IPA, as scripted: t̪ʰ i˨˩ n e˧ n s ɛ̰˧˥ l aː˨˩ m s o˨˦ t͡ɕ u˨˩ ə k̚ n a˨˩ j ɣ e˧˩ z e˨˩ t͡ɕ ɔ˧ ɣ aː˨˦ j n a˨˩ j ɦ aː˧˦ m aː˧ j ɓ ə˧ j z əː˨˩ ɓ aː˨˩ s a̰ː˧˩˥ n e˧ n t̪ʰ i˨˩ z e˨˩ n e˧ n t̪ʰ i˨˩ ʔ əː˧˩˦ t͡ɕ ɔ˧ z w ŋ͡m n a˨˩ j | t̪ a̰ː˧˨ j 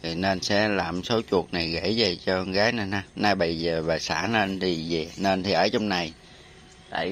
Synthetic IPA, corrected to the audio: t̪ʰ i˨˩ n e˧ n s ɛ̰˧˥ l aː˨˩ m s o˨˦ t͡ɕ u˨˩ ə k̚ n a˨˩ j ɣ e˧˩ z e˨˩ t͡ɕ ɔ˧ ɣ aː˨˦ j n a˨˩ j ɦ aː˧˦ n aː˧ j ɓ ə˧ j z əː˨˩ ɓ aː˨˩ s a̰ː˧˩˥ n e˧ n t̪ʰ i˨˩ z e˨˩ n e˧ n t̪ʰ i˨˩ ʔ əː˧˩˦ t͡ɕ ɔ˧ w ŋ͡m n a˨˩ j | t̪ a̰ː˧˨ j